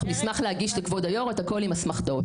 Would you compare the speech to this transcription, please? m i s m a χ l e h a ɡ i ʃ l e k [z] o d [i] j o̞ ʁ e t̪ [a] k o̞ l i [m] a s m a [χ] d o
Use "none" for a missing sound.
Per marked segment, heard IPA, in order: v, a, a, m, χ

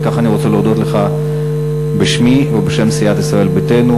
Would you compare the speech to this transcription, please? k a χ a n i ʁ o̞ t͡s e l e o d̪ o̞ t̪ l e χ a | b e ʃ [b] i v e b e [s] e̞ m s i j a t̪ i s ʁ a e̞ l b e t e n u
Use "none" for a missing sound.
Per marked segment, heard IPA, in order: m, ʃ

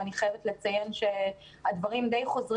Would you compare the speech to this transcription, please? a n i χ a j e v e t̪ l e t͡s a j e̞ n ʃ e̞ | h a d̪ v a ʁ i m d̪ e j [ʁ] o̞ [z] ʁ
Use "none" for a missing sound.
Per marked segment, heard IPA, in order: χ, z

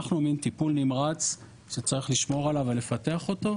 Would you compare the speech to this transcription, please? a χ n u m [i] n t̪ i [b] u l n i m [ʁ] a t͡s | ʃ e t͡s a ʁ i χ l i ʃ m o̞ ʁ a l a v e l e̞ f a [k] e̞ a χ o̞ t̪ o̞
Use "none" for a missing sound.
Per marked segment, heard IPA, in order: i, p, ʁ, t

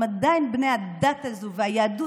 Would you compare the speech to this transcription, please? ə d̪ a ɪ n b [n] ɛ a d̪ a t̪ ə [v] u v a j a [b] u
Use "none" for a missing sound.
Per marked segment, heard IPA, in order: n, z, d

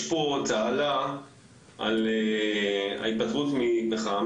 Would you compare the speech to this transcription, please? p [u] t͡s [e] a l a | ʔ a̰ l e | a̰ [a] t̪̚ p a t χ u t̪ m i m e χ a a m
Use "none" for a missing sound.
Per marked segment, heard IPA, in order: o, a, i

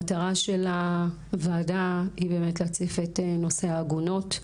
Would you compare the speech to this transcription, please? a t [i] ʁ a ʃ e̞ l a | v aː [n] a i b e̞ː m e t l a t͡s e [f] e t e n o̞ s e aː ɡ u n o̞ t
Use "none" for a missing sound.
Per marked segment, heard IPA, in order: a, d, f

